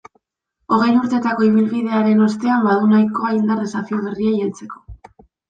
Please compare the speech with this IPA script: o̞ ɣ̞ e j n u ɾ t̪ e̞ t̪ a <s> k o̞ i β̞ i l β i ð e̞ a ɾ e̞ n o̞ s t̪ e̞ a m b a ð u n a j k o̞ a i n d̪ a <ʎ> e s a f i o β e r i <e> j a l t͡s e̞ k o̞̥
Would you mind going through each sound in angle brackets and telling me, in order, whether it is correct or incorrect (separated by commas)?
incorrect, incorrect, incorrect